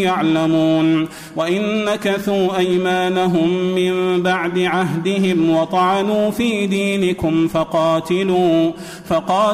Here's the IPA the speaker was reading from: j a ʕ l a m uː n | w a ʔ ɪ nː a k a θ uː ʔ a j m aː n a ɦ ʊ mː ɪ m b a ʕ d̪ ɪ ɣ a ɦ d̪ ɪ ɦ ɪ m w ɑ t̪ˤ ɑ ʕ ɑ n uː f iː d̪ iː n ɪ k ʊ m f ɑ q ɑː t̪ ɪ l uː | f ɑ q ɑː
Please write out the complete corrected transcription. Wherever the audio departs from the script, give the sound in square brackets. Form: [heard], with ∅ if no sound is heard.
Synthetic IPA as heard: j a ʕ l a m uː n | w a ʔ ɪ nː a k a θ uː ʔ a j m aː n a ɦ ʊ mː ɪ m b a ʕ d̪ ɪ [ʕ] a ɦ d̪ ɪ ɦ ɪ m w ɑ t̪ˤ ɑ ʕ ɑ n uː f iː d̪ iː n ɪ k ʊ m f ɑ q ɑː t̪ ɪ l uː | f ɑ q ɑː